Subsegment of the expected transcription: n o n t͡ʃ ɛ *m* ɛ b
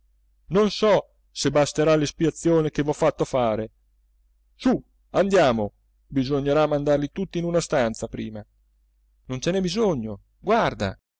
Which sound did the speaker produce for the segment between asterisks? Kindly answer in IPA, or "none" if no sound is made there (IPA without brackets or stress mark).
n